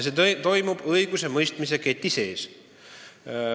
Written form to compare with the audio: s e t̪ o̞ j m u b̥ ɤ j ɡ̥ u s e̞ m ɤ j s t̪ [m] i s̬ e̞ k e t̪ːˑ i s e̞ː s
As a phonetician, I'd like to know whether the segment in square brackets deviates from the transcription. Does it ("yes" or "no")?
no